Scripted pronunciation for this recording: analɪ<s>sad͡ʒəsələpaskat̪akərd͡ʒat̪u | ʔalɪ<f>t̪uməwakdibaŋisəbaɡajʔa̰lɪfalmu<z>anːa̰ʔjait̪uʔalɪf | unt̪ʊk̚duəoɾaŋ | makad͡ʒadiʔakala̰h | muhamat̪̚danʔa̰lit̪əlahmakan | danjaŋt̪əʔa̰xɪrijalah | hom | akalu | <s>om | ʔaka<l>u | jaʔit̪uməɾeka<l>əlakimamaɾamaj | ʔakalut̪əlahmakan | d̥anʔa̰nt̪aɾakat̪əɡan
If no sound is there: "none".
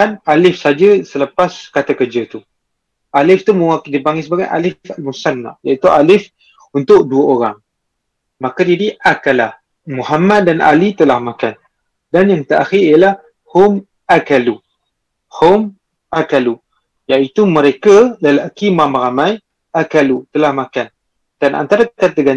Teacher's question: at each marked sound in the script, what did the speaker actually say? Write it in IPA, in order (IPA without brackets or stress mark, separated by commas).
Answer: f, f, s, h, l, l